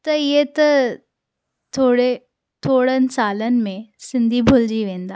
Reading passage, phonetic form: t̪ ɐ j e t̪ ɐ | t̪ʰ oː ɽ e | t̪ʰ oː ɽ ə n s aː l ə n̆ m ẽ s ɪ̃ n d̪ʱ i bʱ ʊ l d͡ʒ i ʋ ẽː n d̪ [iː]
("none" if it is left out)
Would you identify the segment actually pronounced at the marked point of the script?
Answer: aː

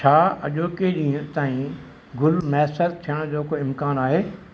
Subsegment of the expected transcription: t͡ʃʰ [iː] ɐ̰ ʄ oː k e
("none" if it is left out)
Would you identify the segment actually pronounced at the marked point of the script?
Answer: aː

